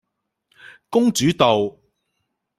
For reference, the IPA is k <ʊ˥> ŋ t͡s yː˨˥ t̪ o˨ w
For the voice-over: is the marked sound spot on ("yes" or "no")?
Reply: yes